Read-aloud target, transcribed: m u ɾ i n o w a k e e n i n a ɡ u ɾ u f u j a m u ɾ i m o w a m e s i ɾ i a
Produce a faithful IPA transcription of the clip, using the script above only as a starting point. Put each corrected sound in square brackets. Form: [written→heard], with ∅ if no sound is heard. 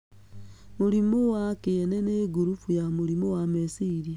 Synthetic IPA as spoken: m u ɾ i [n→m] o w a k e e n [i→e] n [a→e] ɡ u ɾ u f u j a m u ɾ i m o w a m e s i ɾ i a

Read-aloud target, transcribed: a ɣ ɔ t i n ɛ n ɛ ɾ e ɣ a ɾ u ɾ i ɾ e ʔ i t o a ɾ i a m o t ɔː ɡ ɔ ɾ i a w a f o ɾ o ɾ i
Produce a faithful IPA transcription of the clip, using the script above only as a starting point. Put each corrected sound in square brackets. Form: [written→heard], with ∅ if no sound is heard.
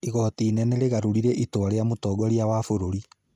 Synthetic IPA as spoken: [a→i] ɣ ɔ t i n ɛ n ɛ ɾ e ɣ a ɾ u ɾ i ɾ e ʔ i t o a ɾ [i→e] a m o t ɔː ɡ ɔ ɾ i a w a f o ɾ o ɾ i

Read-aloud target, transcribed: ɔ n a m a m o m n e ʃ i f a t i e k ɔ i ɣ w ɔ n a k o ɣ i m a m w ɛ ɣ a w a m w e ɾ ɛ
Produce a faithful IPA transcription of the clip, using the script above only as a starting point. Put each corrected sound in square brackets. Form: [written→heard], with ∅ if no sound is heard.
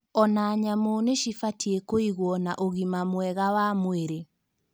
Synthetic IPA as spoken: ɔ n a [m→ɲ] a m o [m→∅] n e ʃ i f a t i e k [ɔ→o] i ɣ w ɔ n a [k→ʔ] o ɣ i m a m w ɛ ɣ a w a m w e ɾ [ɛ→e]

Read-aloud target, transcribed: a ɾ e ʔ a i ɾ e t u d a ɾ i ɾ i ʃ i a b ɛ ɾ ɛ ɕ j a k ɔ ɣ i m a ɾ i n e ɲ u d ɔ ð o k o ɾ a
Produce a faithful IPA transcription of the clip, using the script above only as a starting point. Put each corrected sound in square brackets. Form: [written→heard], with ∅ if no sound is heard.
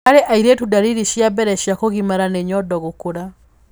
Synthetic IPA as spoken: a ɾ e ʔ a i ɾ e t u d a ɾ i ɾ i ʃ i a b ɛ ɾ ɛ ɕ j a k [ɔ→o] ɣ i m a ɾ [i→a] n e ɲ [u→ɔ] d ɔ [ð→ɣ] o k o ɾ a

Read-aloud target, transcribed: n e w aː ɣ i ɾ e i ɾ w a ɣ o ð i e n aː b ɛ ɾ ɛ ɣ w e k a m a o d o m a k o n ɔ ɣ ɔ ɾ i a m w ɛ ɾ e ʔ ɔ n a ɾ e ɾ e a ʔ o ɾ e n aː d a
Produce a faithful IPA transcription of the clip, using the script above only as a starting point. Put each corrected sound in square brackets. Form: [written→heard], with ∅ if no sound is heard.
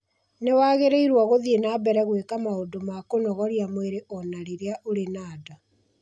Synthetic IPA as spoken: n e w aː ɣ [i→e] ɾ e i ɾ w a ɣ o ð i e n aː b ɛ ɾ ɛ ɣ w e k a m a o d o m a k o n ɔ ɣ ɔ ɾ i a m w [ɛ→e] ɾ e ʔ ɔ n a ɾ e ɾ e a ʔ o ɾ e n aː d a

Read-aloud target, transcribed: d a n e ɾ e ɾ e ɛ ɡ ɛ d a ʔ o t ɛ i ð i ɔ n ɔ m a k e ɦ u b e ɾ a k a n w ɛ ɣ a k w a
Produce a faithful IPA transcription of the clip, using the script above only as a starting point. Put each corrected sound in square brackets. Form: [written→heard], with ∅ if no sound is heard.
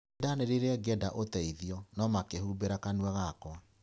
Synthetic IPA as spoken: d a n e ɾ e ɾ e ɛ ɡ ɛ d a ʔ o t ɛ i ð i ɔ n ɔ m a k e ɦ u b e ɾ a k a n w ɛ ɣ a k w a

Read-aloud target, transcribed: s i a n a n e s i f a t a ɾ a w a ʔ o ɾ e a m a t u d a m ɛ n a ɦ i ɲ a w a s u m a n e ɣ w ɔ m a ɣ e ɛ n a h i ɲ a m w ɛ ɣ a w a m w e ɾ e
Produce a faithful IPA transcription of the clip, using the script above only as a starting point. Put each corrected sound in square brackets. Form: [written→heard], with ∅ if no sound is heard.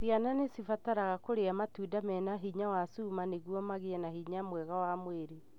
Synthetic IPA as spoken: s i a n a n e s i f a t a ɾ a [w→ɣ] a [ʔ→k] o ɾ e a m a t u d a m ɛ n a ɦ i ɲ a w a s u m a n e ɣ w ɔ m a ɣ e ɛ n a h i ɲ a m w ɛ ɣ a w a m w e ɾ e

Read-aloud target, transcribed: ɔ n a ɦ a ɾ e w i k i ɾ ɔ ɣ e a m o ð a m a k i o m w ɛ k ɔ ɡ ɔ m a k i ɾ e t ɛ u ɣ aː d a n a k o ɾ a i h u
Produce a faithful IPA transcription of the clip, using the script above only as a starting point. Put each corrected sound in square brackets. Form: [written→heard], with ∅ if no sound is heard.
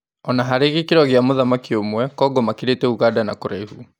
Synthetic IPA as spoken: ɔ n a ɦ a ɾ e [w→ɣ] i k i ɾ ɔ ɣ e a m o ð a m a k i o m w ɛ k ɔ ɡ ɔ m a k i ɾ e t ɛ u ɣ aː d a n a k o ɾ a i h u

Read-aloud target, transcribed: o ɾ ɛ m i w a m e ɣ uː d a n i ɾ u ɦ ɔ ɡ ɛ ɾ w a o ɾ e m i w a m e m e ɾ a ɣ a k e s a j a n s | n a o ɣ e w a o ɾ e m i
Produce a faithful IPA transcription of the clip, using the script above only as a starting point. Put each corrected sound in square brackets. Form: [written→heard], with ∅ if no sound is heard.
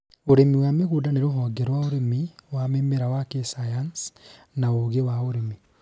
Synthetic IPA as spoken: o ɾ [ɛ→e] m i w a m e ɣ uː d a n [i→e] ɾ [u→o] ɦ ɔ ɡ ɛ ɾ w a o ɾ e m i w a m e m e ɾ a [ɣ→w] a k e s a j a n s | n a o ɣ e w a o ɾ e m i

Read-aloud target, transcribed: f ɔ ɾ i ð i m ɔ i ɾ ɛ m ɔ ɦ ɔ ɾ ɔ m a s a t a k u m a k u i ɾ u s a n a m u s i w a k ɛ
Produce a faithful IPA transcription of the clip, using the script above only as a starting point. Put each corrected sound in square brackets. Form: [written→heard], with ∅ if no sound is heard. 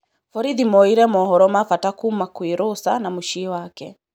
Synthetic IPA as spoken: f ɔ ɾ i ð i m ɔ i ɾ ɛ m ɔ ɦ ɔ ɾ ɔ m a [s→f] a t a k u m a k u i ɾ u s a n a m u [s→ʃ] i w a k ɛ

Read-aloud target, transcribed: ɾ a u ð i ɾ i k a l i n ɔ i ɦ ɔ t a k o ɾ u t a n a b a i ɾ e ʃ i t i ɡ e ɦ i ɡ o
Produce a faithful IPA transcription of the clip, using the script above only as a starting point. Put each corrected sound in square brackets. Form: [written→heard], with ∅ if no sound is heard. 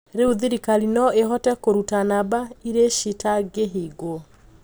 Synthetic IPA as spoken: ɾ [a→e] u ð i ɾ i k a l i n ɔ [i→e] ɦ ɔ t [a→ɛ] k o ɾ u t a n a b a i ɾ e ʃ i t [i→a] ɡ e ɦ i ɡ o

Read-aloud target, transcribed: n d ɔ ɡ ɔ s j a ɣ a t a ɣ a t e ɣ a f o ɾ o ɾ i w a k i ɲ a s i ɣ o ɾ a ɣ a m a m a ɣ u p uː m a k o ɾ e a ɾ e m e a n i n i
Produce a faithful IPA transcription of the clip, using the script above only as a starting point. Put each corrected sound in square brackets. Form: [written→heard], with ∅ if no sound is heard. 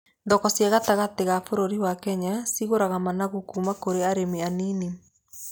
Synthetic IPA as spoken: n d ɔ [ɡ→k] ɔ s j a ɣ a t a ɣ a t e ɣ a f o ɾ o ɾ i w a k [i→ɛ] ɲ a s i ɣ o ɾ a ɣ a m a [m→n] a ɣ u [p→k] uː m a k o ɾ e a ɾ e m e a n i n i

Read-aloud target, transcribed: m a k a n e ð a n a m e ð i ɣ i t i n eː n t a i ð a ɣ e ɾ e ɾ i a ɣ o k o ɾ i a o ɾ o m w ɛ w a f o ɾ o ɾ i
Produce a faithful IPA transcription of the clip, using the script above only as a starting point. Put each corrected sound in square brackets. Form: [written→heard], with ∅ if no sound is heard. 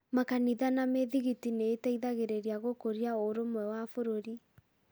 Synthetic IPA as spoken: m a k a n [e→i] ð a n a m e ð i ɣ i t i n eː [n→∅] t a i ð a ɣ e ɾ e ɾ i a ɣ o k o ɾ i a o ɾ o m w ɛ w a f o ɾ o ɾ i

